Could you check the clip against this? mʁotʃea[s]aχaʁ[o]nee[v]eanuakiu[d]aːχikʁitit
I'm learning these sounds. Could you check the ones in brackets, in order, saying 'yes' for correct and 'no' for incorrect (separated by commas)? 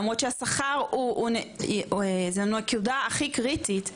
yes, no, no, yes